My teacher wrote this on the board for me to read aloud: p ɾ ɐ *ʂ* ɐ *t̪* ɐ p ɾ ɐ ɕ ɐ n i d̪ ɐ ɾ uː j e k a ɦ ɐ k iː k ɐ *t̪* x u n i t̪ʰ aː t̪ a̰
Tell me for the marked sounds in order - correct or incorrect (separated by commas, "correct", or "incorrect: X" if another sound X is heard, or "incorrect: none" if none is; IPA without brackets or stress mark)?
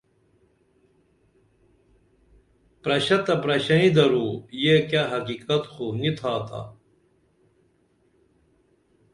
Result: incorrect: ɕ, correct, correct